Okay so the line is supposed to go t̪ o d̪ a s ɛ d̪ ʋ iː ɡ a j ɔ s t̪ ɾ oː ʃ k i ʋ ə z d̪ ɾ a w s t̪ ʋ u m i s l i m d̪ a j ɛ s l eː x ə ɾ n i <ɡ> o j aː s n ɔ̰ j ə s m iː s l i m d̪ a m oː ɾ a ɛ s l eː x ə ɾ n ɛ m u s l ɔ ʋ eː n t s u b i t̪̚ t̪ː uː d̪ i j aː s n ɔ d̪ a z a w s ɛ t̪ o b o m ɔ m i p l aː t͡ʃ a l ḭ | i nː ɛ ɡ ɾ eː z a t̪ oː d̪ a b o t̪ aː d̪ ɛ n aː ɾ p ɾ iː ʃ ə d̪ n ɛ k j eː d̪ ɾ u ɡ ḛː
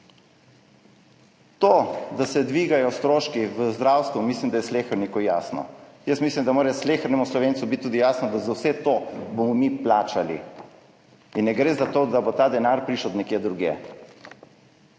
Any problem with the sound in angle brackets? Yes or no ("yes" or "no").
yes